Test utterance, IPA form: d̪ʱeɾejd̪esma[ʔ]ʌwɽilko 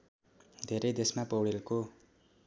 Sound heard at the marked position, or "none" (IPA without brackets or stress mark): p